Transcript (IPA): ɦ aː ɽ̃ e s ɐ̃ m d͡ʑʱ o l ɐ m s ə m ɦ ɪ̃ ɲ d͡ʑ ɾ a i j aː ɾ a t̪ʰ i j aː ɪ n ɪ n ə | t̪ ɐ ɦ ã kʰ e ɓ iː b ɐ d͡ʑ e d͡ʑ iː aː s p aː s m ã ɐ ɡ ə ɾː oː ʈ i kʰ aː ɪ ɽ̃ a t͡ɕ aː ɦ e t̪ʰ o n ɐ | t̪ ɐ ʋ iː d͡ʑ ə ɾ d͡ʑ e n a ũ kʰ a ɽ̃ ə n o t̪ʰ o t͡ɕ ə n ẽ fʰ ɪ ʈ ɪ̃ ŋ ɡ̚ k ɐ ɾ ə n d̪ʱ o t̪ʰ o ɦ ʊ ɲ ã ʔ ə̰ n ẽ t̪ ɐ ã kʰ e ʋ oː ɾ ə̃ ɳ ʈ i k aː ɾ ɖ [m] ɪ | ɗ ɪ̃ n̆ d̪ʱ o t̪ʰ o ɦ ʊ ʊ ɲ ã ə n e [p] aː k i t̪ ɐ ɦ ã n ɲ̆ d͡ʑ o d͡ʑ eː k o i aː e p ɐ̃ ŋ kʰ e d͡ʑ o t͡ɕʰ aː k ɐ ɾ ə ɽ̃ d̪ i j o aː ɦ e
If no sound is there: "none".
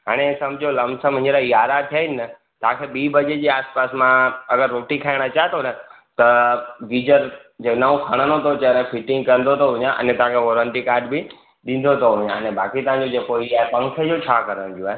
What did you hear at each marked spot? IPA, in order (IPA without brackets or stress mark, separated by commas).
b, b